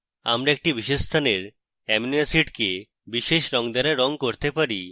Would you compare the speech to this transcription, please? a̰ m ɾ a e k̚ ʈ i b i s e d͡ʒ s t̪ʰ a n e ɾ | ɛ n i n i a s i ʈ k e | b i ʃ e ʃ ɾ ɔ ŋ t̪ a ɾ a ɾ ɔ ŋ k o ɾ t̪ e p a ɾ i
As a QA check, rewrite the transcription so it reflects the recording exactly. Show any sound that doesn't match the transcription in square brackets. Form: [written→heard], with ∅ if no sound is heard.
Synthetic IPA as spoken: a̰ m ɾ a e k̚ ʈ i b i [s→ʃ] e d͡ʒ s t̪ʰ a n e ɾ | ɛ [n→m] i n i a s i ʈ k e | b i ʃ e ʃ ɾ ɔ ŋ [t̪→d̪] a ɾ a ɾ ɔ ŋ k o ɾ t̪ e p a ɾ i